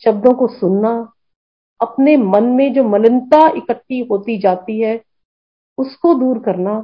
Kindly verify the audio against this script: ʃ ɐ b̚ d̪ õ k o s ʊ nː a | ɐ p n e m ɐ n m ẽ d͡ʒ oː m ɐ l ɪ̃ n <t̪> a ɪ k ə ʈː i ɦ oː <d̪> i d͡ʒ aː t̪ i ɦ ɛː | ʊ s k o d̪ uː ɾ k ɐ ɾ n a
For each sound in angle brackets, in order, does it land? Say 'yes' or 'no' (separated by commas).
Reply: yes, no